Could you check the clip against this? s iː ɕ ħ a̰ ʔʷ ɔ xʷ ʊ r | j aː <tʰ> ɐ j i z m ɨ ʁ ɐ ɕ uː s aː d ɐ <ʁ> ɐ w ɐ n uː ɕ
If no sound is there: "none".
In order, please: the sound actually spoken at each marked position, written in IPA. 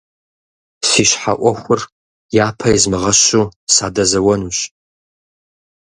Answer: pʰ, z

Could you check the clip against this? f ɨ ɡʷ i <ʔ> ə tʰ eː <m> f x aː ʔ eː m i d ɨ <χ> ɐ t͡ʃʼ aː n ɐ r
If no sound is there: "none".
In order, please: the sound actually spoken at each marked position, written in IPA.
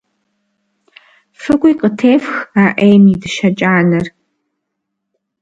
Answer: q, none, ʃ

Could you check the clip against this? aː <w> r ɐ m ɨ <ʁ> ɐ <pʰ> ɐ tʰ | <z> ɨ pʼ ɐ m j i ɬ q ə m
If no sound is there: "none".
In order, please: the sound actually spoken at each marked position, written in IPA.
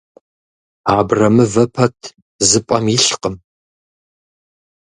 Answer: b, v, pʰ, z

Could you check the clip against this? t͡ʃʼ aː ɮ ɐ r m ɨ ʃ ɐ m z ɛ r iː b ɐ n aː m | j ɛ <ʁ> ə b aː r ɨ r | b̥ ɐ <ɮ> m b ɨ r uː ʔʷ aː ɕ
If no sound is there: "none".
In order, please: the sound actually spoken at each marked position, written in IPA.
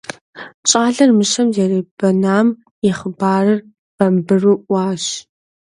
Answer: χ, none

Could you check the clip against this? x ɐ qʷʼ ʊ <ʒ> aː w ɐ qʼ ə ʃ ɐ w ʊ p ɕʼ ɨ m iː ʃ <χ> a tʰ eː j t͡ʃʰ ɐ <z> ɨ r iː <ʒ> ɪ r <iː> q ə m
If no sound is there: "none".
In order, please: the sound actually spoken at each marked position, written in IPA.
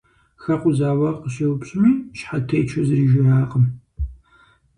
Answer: z, ħ, z, ʒ, aː

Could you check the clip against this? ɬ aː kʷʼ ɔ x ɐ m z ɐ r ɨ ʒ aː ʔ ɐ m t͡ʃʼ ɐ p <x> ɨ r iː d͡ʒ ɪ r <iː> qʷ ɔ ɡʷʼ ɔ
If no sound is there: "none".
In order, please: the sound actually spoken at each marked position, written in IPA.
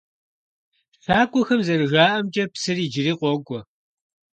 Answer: s, iː

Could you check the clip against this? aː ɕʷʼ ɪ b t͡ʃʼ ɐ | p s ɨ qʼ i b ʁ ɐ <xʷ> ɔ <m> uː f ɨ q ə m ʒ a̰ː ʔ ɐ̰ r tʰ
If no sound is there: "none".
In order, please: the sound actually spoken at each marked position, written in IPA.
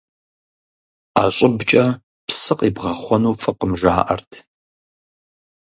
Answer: χʷ, n

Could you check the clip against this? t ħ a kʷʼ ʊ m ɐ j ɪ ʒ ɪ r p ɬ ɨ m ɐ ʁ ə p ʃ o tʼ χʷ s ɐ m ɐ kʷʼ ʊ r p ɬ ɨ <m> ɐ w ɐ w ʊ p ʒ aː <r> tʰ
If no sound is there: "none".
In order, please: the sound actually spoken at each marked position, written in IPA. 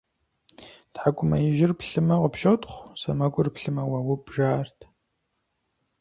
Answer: m, r

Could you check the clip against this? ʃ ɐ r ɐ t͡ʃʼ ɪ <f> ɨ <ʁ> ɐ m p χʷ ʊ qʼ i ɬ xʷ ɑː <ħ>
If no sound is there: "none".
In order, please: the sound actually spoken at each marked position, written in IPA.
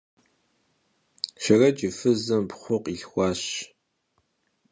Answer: f, z, ɕ

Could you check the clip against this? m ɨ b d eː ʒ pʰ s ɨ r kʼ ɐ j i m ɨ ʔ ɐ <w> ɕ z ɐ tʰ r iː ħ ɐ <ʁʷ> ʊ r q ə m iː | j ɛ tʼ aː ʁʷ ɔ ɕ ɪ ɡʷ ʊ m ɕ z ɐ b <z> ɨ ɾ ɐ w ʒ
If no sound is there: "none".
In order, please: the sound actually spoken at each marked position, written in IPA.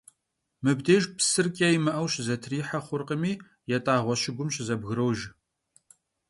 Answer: w, χʷ, ɣ

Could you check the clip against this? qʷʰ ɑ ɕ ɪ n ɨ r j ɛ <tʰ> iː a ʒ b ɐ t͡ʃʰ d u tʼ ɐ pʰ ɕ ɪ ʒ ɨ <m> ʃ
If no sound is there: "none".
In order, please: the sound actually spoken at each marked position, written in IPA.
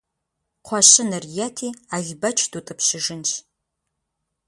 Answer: tʰ, n

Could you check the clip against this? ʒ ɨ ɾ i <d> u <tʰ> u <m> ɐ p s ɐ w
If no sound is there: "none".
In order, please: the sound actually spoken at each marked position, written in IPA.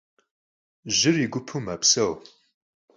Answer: ɡ, pʰ, m

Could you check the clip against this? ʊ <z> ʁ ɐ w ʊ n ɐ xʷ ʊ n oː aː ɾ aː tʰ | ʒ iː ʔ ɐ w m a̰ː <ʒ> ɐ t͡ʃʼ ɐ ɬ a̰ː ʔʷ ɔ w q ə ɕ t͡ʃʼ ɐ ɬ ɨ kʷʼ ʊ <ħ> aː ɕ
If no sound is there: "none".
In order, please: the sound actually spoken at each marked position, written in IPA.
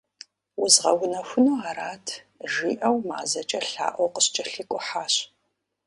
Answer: z, z, ħ

